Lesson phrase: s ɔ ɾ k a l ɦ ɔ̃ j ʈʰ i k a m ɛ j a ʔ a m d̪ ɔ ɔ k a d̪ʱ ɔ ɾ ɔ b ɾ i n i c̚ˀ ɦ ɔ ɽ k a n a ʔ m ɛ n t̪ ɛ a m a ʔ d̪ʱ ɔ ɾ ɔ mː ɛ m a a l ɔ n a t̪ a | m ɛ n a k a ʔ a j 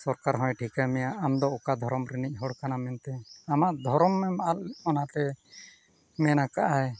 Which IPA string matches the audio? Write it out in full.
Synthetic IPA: s ɔ ɾ k a ɾ ɦ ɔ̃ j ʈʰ i k a m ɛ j a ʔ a m d̪ ɔ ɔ k a d̪ʱ ɔ ɾ ɔ m ɾ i n i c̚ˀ ɦ ɔ ɽ k a n a m ɛ n t̪ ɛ a m a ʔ d̪ʱ ɔ ɾ ɔ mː ɛ m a a l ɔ n a t̪ ɛ | m ɛ n a k a ʔ a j